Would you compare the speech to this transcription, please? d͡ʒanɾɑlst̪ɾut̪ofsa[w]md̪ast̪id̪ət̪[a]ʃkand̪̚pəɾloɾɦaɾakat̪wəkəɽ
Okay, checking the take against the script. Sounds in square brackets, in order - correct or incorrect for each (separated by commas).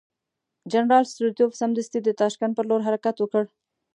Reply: incorrect, incorrect